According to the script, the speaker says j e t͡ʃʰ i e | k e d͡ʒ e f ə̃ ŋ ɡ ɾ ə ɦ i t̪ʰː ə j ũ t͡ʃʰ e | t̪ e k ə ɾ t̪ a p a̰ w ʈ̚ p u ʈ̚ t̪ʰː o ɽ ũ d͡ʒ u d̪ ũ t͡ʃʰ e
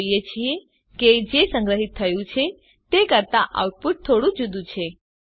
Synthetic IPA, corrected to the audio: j e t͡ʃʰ i e | k e d͡ʒ e s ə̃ ŋ ɡ ɾ ə ɦ i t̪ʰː ə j ũ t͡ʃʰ e | t̪ e k ə ɾ t̪ a ʔ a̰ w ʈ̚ p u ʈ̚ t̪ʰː o ɽ ũ d͡ʒ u d̪ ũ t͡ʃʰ e